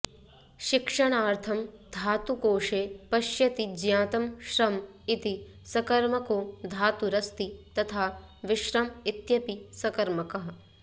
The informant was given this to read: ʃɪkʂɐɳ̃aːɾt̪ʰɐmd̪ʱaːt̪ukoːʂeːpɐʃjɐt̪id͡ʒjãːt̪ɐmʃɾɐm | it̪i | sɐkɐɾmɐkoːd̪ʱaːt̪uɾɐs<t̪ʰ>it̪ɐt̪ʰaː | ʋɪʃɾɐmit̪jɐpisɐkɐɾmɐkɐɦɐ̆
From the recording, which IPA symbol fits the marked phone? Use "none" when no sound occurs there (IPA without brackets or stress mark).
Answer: t̪